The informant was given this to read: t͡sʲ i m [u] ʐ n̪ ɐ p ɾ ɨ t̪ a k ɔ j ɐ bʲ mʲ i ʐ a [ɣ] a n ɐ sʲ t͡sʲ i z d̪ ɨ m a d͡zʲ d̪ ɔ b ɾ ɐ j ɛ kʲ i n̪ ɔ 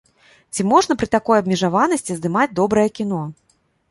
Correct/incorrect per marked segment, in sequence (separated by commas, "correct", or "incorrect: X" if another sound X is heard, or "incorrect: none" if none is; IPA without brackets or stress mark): incorrect: ɔ, incorrect: v